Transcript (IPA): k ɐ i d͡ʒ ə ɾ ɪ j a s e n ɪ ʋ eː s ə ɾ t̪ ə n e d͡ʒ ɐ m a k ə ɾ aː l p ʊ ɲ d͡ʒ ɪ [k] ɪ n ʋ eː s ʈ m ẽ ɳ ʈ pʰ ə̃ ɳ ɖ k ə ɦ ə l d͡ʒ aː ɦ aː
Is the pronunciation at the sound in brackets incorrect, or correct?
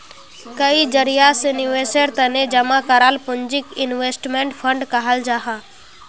correct